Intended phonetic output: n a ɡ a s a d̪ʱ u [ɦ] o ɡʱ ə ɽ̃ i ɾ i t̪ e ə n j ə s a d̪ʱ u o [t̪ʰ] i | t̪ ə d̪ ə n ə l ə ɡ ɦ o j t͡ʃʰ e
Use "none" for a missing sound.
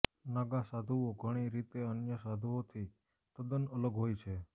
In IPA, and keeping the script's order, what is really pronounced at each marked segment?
none, t̪ʰ

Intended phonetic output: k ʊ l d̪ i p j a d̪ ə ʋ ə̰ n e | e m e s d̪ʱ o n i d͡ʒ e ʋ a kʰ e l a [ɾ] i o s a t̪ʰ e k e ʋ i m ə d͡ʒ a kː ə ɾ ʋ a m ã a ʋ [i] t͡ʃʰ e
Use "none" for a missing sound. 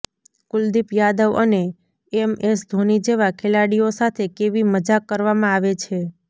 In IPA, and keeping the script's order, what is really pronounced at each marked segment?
ɽ, e

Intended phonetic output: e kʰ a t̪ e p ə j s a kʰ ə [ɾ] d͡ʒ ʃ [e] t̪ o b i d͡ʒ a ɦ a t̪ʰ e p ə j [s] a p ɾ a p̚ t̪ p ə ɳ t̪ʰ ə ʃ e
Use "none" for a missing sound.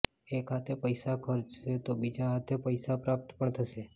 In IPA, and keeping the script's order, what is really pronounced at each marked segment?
ɾ, e, s

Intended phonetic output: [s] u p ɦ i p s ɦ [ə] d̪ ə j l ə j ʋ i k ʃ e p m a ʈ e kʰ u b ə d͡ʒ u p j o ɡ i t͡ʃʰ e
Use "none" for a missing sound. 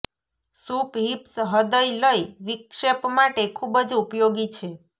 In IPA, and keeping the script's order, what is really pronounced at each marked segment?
s, ə

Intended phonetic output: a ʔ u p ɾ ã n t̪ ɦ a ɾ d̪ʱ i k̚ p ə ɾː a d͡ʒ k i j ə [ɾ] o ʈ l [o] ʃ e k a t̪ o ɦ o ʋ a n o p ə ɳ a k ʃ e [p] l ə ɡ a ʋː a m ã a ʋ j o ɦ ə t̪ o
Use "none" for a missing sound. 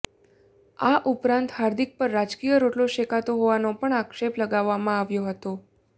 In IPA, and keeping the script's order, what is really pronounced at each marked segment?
ɾ, o, p

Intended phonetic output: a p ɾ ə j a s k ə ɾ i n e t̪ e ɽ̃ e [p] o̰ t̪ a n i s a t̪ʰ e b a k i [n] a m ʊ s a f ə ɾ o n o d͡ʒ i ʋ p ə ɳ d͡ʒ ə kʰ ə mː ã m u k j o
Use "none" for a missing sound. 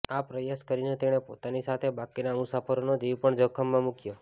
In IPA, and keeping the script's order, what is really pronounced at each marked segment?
p, n

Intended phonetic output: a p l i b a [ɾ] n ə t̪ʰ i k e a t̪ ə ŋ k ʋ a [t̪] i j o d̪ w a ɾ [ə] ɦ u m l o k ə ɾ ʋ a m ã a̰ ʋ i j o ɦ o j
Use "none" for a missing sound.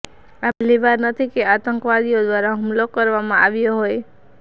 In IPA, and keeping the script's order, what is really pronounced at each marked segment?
ɾ, d̪, a

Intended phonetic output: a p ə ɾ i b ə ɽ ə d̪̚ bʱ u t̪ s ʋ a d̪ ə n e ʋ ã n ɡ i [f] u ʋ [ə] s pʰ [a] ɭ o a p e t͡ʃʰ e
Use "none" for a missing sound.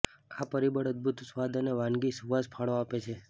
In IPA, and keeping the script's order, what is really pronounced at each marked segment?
s, a, a

